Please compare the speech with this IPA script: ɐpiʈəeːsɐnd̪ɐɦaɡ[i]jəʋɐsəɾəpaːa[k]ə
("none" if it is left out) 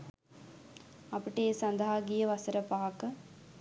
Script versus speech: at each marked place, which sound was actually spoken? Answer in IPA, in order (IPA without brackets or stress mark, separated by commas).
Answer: i, k